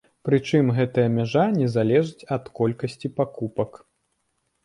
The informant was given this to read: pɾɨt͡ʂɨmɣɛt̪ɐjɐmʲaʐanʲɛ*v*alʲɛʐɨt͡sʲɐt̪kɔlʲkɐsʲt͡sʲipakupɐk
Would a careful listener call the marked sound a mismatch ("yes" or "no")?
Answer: yes